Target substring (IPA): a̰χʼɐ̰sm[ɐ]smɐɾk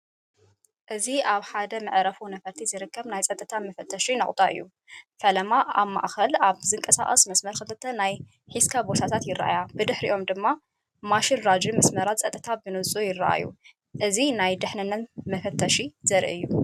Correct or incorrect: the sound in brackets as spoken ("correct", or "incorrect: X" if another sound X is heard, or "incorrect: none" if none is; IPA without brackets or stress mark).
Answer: correct